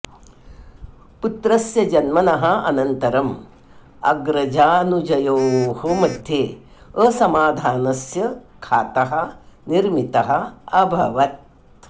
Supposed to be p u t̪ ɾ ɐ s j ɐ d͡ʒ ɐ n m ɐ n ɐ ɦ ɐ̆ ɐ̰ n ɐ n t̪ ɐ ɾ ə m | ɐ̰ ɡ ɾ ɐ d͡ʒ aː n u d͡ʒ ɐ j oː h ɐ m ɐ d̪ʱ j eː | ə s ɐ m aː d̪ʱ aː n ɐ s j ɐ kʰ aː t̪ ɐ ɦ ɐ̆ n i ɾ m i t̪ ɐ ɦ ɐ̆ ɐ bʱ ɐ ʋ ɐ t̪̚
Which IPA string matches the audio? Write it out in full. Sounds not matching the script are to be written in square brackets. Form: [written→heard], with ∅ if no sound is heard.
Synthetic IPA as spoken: p u t̪ ɾ ɐ s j ɐ d͡ʒ ɐ n m ɐ n ɐ ɦ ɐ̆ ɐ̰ n ɐ n t̪ ɐ ɾ [ə→ɐ] m | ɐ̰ ɡ ɾ ɐ d͡ʒ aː n u d͡ʒ ɐ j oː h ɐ m ɐ d̪ʱ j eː | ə s ɐ m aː d̪ʱ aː n ɐ s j ɐ kʰ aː t̪ ɐ ɦ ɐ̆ n i ɾ m i t̪ ɐ ɦ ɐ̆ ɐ bʱ ɐ ʋ ɐ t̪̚